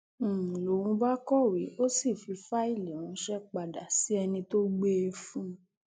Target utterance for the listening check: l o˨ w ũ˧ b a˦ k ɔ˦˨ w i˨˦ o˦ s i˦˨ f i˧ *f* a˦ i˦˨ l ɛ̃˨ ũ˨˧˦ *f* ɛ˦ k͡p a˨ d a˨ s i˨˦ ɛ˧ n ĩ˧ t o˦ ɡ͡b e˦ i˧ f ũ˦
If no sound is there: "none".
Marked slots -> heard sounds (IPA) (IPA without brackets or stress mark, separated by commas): f, ʃ